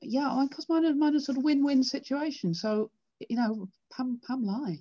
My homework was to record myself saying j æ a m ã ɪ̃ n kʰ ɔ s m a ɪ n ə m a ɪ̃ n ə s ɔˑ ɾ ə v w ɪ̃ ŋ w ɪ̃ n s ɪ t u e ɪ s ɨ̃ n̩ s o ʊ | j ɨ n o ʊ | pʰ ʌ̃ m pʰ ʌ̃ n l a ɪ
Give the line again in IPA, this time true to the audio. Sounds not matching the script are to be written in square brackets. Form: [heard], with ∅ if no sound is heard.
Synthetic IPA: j æ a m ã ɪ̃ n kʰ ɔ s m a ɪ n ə m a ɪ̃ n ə s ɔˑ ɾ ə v w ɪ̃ [n] w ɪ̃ n s ɪ [t͡ʃ] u e ɪ [ʃ] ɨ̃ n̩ s o ʊ | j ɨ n o ʊ | pʰ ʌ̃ m pʰ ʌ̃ [m] l a ɪ